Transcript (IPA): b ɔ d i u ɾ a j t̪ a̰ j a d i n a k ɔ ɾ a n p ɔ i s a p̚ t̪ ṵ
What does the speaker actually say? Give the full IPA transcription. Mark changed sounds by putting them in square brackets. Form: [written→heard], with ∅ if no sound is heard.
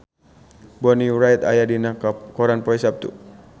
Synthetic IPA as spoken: b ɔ [d→n] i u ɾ a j t̪ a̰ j a d i n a k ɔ ɾ a n p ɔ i s a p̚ t̪ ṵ